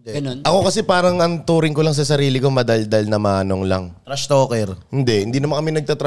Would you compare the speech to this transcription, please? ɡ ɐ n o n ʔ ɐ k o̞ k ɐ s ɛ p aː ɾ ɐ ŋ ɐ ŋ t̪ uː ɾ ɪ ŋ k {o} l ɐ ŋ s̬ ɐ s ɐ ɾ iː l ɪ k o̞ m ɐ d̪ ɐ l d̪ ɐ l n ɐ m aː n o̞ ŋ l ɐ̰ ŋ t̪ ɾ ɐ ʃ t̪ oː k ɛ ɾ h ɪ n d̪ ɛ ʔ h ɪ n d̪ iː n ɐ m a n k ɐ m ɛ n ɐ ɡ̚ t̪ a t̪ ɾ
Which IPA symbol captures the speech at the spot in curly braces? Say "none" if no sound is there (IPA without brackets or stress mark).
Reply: o